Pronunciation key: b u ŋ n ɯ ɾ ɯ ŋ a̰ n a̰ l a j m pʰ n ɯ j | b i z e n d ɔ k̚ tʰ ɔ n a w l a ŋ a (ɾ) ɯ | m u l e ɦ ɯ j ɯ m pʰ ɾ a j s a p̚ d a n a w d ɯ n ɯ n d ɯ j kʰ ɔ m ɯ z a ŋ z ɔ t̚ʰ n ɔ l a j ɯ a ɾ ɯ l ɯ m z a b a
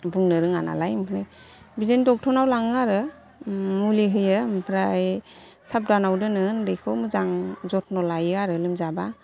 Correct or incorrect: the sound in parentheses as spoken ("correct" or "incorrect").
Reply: correct